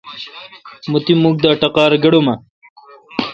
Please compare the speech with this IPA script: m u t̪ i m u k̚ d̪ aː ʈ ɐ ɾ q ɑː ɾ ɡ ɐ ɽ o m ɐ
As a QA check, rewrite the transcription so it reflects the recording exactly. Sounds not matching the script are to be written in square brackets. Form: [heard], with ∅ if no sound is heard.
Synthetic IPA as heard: m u t̪ i m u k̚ d̪ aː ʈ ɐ [∅] q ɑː ɾ ɡ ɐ ɽ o m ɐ